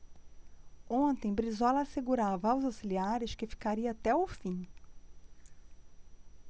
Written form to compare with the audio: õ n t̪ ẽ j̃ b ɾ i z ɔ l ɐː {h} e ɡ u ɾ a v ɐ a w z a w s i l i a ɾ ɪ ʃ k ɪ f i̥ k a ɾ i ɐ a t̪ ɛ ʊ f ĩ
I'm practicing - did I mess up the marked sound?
yes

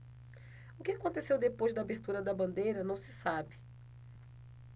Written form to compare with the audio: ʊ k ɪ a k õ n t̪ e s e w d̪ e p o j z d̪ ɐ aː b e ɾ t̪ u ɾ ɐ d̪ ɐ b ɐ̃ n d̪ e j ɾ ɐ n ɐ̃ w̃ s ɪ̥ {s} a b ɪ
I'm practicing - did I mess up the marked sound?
no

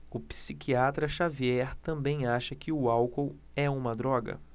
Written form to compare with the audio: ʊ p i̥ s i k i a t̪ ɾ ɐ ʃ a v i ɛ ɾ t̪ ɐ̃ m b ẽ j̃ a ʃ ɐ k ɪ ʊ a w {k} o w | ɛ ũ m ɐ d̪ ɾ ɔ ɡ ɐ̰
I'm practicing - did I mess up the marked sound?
no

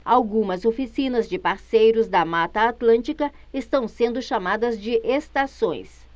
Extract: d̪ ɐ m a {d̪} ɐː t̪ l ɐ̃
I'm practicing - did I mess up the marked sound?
yes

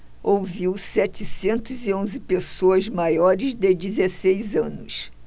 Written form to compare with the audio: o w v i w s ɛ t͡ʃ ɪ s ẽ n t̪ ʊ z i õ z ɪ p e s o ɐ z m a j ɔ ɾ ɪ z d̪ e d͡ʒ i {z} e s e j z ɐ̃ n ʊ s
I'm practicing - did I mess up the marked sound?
no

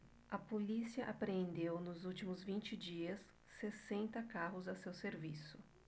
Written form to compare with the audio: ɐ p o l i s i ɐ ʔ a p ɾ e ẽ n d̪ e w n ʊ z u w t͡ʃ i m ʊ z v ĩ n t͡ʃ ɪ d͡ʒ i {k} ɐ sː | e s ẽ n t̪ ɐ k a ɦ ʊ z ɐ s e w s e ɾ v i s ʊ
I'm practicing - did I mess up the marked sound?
yes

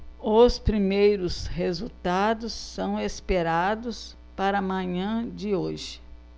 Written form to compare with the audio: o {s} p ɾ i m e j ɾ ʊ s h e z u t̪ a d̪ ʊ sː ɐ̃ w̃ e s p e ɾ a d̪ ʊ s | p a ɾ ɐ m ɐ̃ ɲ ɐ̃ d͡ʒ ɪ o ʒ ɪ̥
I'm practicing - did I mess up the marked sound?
no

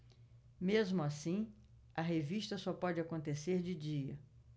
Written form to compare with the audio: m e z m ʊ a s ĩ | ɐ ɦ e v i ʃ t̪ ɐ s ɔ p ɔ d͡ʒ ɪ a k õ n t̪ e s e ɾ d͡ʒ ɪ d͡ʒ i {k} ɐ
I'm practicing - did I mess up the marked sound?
yes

